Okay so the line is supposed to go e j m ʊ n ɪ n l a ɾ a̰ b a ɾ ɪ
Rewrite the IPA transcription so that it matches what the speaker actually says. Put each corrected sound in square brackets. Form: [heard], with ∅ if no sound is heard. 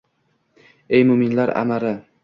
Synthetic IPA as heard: e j m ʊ [m] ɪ n l a ɾ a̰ [m] a ɾ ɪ